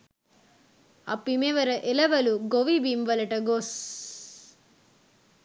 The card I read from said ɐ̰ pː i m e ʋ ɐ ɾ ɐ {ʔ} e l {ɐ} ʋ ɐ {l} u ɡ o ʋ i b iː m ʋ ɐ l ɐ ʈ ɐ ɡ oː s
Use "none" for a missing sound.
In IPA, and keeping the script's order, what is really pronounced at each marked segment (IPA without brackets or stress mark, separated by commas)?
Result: ʔ, ɐ, l